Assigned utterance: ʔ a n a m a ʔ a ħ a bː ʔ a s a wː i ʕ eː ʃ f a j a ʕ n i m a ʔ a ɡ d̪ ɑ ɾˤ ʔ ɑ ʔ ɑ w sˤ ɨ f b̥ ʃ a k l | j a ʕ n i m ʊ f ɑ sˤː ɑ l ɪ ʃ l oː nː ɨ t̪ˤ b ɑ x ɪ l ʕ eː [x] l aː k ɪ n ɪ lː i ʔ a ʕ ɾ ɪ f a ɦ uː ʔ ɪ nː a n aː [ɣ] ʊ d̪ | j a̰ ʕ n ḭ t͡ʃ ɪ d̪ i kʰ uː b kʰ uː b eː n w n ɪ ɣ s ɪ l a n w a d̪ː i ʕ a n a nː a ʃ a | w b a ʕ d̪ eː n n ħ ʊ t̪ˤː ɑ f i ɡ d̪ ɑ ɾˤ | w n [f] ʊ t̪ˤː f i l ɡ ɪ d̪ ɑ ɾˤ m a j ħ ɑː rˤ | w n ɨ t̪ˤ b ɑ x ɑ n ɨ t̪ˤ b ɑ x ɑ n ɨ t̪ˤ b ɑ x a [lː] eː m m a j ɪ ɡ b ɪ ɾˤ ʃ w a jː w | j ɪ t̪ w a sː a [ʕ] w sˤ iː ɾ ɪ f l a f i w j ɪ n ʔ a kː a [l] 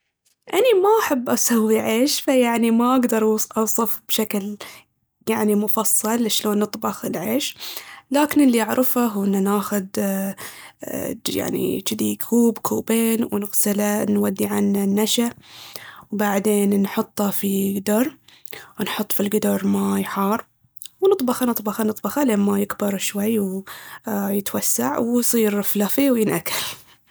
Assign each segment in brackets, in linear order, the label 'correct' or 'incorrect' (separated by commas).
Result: incorrect, incorrect, incorrect, incorrect, correct, correct